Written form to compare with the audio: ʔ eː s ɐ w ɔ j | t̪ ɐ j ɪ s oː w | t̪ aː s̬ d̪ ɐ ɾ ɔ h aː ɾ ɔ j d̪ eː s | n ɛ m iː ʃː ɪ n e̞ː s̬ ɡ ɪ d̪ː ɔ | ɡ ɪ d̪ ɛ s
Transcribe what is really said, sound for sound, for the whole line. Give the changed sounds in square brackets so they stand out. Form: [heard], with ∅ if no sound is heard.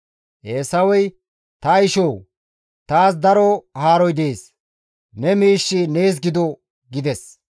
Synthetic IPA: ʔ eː s ɐ w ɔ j | t̪ ɐ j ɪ [ʃ] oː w | t̪ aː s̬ d̪ ɐ ɾ ɔ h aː ɾ ɔ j d̪ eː s | n ɛ m iː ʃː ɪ n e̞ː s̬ ɡ ɪ [d̪] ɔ | ɡ ɪ d̪ ɛ s